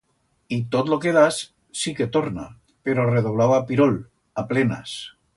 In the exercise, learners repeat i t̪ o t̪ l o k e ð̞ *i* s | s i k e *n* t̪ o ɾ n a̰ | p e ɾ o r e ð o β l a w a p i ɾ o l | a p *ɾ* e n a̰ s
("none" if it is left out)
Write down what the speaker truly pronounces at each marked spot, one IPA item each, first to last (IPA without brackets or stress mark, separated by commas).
a, none, l